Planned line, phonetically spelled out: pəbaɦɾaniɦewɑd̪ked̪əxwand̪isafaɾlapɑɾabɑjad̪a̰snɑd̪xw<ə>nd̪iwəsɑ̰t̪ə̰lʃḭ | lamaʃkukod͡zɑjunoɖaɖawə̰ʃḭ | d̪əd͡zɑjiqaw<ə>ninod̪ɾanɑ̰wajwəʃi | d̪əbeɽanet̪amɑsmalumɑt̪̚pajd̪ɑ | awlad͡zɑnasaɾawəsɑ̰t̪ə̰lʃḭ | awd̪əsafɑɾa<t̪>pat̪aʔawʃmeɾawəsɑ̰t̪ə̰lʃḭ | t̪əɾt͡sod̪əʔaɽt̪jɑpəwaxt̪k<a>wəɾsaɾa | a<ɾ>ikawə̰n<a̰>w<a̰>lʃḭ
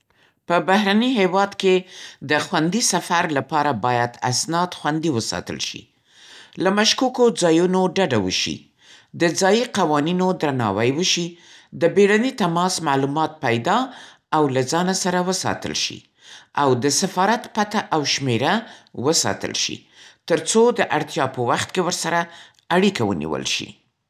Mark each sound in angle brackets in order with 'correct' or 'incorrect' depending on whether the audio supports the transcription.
incorrect: a, incorrect: ɑ, correct, incorrect: e, incorrect: ɽ, incorrect: ḭ, incorrect: ə̰

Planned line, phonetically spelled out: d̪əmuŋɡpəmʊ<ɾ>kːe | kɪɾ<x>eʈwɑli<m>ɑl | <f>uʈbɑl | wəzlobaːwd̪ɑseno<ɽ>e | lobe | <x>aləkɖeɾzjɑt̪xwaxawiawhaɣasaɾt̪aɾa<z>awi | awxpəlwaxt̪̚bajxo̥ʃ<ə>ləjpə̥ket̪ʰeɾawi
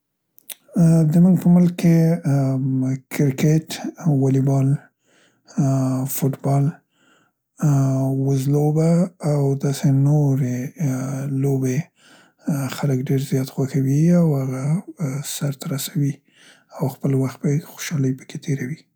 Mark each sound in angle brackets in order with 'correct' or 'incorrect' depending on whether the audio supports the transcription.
incorrect: l, incorrect: k, incorrect: b, correct, incorrect: ɾ, correct, incorrect: s, incorrect: ɑ

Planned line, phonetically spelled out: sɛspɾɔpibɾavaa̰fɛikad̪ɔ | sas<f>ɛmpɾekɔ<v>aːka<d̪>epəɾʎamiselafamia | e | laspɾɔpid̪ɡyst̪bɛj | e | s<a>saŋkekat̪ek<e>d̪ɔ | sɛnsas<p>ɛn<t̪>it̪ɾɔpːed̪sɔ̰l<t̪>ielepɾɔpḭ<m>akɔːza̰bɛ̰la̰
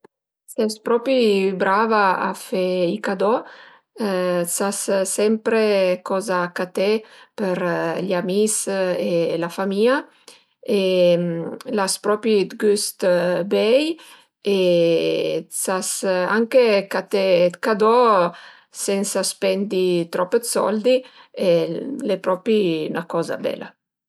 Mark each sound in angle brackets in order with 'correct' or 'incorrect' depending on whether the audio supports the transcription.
incorrect: s, incorrect: z, incorrect: t̪, correct, incorrect: a, correct, incorrect: d̪, incorrect: d̪, incorrect: n

